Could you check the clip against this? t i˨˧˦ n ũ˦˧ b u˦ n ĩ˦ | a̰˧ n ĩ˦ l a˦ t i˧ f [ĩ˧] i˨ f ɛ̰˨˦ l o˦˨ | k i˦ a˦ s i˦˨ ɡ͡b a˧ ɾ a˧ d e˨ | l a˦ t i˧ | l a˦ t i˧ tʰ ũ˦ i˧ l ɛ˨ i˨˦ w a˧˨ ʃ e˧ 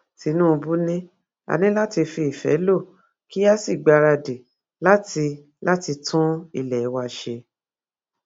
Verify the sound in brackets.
incorrect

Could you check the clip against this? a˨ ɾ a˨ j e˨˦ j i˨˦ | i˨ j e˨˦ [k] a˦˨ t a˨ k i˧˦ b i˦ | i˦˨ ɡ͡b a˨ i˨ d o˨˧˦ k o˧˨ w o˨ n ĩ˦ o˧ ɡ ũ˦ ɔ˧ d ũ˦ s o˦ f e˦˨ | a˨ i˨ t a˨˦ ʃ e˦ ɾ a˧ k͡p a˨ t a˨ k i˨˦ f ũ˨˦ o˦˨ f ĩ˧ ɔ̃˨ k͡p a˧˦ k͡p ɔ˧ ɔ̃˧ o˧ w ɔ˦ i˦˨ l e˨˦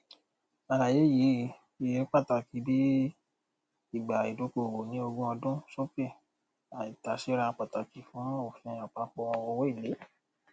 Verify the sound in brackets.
incorrect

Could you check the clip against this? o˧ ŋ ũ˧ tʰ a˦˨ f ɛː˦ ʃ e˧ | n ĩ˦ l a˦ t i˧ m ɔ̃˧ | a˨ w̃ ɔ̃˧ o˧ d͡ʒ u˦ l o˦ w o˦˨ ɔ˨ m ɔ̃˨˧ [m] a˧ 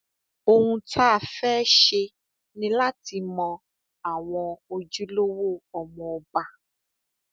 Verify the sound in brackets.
incorrect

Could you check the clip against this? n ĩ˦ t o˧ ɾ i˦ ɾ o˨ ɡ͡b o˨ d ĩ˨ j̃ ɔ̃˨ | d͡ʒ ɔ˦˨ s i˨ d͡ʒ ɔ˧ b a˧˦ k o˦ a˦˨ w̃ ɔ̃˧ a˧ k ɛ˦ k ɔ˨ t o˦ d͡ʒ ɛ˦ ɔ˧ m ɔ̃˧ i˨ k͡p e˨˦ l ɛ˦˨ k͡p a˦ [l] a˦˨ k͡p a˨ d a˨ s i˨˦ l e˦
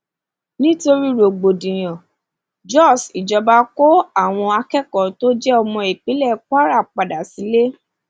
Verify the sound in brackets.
incorrect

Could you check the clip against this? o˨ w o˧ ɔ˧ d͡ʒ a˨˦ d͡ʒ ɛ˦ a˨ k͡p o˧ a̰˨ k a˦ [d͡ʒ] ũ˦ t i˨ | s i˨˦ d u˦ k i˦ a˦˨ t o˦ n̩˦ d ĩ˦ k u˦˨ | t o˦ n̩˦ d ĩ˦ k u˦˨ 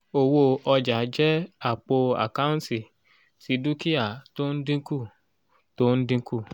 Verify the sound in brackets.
incorrect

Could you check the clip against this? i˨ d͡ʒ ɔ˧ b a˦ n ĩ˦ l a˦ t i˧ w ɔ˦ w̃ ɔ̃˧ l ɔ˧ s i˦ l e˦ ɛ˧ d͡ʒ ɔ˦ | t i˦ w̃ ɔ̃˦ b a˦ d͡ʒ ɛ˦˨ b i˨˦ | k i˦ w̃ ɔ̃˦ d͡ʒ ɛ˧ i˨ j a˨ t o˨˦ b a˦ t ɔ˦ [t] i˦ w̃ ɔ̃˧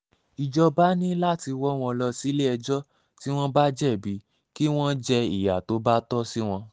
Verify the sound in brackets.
incorrect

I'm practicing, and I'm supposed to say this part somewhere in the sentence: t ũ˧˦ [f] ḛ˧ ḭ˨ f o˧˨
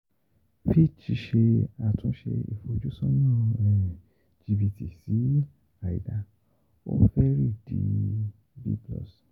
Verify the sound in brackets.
incorrect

